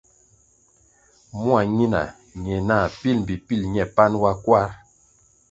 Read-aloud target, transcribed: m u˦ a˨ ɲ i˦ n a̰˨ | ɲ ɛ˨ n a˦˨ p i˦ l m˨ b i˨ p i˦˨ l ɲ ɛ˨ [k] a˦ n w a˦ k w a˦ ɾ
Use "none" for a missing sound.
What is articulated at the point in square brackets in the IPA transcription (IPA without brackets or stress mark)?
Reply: p